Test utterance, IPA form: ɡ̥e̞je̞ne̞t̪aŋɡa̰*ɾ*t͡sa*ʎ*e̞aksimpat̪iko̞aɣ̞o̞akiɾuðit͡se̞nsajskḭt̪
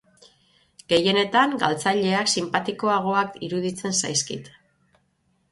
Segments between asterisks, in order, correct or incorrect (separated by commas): incorrect, correct